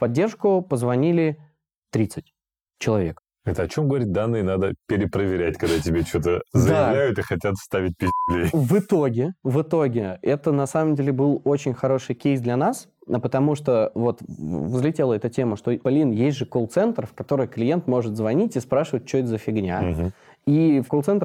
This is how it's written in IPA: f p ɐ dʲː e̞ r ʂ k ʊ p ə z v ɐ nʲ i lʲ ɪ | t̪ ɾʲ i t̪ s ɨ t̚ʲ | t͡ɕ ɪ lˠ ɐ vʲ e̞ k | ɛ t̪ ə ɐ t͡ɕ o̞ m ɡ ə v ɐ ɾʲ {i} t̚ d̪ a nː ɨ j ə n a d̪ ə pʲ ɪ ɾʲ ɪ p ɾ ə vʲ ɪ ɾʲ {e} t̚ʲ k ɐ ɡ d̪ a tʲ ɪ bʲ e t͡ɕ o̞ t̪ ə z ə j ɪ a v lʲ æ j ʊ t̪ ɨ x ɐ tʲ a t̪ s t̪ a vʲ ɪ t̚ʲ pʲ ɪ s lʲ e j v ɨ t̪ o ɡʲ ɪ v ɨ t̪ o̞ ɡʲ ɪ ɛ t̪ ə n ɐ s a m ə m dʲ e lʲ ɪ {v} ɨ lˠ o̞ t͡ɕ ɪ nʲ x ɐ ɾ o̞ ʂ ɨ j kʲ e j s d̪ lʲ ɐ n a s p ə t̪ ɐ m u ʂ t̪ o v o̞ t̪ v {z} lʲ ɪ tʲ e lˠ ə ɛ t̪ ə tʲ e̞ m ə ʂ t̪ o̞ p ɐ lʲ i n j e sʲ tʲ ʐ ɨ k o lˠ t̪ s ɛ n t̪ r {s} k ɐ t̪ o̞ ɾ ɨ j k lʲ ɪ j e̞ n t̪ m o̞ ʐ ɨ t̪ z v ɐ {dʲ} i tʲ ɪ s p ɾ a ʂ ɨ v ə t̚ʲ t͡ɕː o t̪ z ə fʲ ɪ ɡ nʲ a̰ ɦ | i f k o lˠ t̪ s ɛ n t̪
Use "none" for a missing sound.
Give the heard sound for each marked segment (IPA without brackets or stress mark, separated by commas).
i, æ, b, z, f, nʲ